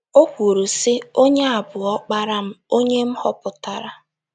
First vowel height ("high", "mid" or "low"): mid